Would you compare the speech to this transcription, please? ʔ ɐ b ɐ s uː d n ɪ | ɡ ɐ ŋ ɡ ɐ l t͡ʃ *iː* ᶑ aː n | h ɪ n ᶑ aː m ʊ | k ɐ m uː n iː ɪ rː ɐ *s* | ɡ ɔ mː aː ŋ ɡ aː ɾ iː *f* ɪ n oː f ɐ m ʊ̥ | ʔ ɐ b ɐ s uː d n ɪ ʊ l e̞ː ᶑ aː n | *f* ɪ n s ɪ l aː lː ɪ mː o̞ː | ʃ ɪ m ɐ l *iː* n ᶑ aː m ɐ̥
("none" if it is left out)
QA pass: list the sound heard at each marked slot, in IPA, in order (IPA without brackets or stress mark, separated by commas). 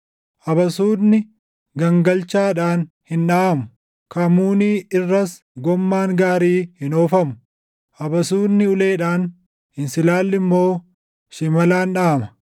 aː, s, h, h, aː